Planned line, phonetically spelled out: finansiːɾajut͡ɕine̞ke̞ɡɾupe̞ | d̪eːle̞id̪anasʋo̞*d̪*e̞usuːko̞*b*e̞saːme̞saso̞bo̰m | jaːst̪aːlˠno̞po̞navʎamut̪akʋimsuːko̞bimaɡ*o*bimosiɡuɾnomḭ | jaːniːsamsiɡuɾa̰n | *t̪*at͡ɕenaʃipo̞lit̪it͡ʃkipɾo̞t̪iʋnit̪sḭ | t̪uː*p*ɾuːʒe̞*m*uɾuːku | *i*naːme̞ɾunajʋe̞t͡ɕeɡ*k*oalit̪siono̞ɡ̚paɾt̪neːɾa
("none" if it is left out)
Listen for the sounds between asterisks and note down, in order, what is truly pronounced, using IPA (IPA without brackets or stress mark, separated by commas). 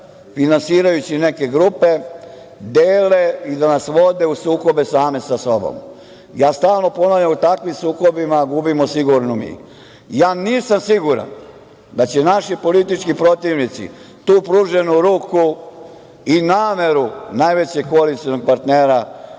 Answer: d̪, b, u, d̪, p, n, i, k